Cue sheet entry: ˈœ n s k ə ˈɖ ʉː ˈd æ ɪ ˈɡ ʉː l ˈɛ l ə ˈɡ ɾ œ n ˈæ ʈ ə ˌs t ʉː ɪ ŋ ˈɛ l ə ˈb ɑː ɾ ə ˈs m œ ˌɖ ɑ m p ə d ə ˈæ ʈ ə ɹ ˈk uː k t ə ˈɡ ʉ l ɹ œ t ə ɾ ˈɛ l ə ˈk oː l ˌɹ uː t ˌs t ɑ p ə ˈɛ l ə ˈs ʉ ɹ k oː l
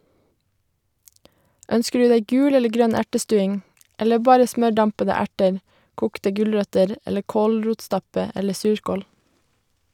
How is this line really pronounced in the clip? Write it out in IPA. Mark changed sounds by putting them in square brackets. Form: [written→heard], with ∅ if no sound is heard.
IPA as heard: ˈœ n s k ə ˈɖ ʉː ˈd æ ɪ ˈɡ ʉː l ˈɛ l ə ˈɡ ɾ œ n ˈæ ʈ ə ˌs t ʉː ɪ ŋ ˈɛ l ə ˈb ɑː ɾ ə ˈs m œ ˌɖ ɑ m p ə d ə ˈæ ʈ ə ɹ ˈk uː k t ə ˈɡ ʉ l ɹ œ t ə ɾ ˈɛ l ə ˈk oː l ˌɹ uː t ˌs t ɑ p ə ˈɛ l ə ˈs [ʉ→ʉː] ɹ k oː l